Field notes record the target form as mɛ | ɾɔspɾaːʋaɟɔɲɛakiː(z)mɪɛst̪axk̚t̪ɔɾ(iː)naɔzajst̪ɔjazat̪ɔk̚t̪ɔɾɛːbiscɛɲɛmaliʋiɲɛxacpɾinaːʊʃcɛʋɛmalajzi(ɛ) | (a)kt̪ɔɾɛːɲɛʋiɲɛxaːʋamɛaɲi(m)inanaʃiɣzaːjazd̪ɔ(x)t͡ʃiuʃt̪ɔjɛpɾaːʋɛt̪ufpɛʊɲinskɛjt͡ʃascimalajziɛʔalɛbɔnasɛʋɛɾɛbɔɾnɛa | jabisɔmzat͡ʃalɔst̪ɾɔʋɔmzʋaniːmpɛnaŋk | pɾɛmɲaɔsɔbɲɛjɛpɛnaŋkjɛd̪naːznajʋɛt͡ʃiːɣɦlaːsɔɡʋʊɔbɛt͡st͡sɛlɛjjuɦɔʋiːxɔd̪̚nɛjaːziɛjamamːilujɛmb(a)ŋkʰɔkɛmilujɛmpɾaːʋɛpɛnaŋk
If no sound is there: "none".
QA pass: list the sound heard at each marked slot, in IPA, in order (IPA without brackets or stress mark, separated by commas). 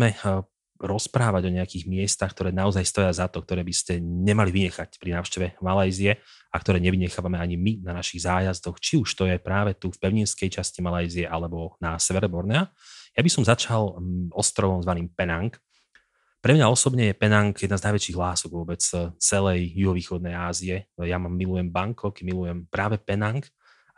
ɣ, ɛː, ɛ, a, m, x, a